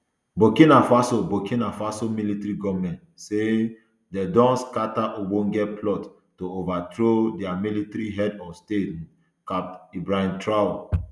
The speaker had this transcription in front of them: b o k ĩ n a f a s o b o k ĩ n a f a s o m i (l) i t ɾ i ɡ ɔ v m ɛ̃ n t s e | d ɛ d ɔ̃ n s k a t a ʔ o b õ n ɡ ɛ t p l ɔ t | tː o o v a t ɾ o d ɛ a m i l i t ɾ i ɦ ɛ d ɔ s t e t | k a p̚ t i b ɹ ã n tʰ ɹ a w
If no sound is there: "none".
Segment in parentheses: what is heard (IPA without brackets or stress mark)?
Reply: l